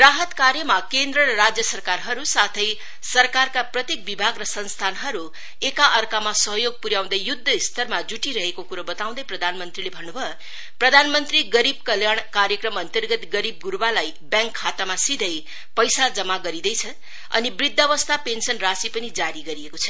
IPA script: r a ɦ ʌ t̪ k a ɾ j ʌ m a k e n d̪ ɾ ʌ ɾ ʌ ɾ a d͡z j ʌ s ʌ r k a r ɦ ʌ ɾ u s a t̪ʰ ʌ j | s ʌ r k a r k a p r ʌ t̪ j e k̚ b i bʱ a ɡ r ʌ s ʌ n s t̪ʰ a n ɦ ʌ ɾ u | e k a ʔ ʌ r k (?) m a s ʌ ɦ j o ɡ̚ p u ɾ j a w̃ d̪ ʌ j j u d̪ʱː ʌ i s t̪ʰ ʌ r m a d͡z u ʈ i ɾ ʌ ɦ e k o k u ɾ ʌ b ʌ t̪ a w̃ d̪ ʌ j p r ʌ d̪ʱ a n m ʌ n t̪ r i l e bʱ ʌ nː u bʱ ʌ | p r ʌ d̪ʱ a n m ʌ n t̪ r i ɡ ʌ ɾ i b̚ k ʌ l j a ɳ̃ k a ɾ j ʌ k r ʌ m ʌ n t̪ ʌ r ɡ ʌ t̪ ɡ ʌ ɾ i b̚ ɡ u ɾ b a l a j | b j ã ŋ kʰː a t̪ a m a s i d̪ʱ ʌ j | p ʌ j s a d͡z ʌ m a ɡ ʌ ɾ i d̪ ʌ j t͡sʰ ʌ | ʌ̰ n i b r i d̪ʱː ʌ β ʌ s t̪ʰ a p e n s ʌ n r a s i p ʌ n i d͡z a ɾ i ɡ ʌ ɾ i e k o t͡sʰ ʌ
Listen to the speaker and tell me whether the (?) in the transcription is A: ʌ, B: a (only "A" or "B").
B